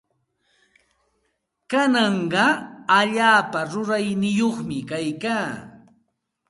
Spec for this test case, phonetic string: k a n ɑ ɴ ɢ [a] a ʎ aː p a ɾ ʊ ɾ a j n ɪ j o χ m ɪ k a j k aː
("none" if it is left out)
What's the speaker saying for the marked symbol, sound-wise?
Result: ɑ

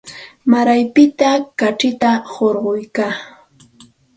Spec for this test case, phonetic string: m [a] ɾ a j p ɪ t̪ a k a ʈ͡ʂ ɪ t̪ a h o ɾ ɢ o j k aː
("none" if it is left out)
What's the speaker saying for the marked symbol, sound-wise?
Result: a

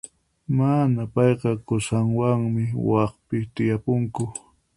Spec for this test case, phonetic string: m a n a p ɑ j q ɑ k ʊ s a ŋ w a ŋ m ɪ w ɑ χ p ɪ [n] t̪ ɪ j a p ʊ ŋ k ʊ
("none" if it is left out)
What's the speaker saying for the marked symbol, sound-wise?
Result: none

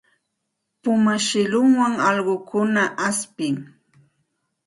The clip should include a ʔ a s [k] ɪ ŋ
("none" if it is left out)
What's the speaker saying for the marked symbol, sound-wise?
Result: p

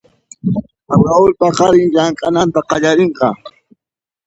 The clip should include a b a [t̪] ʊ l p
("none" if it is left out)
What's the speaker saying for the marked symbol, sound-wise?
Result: none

